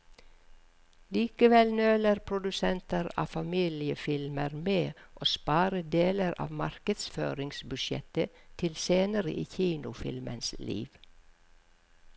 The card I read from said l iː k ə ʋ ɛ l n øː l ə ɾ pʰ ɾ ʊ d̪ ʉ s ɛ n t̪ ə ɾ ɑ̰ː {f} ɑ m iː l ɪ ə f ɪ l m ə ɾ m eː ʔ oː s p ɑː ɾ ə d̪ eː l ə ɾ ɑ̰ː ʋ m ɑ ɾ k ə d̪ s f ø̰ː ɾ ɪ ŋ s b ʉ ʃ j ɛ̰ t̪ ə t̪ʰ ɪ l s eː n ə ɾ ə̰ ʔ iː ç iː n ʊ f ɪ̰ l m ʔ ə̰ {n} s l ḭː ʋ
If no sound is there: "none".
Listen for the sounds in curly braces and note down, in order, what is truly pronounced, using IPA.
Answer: f, n

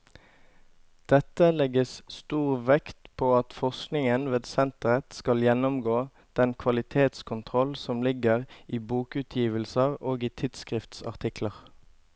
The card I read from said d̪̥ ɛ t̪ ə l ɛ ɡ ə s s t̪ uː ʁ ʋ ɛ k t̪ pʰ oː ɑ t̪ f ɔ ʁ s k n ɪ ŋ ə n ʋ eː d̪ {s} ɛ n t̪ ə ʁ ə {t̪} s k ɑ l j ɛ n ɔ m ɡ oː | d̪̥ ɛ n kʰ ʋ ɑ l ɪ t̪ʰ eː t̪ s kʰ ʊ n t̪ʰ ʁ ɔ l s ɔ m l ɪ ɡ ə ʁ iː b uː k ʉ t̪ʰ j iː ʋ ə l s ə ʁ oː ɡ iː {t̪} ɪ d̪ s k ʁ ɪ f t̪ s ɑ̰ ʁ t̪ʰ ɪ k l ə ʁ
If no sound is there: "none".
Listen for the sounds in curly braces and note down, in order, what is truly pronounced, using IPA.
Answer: s, t̪, t̪ʰ

